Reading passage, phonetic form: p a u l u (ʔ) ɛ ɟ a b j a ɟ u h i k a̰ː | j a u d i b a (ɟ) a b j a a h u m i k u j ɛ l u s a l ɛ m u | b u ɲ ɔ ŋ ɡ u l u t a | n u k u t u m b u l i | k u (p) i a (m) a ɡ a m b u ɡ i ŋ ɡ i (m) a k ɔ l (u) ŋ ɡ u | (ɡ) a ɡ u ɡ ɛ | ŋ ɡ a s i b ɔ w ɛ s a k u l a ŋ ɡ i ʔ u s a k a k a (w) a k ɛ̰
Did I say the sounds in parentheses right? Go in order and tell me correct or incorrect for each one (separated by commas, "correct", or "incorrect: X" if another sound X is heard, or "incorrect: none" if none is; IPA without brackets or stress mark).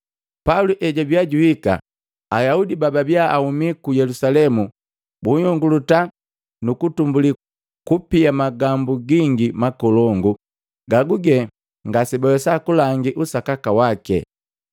correct, incorrect: b, correct, correct, correct, incorrect: ɔ, correct, correct